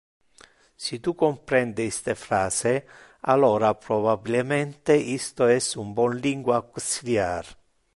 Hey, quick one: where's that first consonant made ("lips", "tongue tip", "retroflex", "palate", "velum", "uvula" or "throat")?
tongue tip